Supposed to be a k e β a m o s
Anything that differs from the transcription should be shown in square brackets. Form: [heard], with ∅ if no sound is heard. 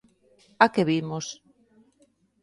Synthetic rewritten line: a k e β [i] m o s